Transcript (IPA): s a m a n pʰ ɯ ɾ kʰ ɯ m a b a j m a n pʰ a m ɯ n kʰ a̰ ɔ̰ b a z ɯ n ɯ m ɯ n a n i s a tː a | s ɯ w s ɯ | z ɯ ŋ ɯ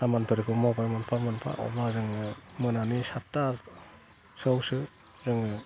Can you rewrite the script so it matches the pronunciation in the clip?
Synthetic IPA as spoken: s a m a n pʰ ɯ ɾ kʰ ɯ m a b a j m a n pʰ a m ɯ n pʰ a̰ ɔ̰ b a z ɯ ŋ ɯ m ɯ n a n i s a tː a | s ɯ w s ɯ | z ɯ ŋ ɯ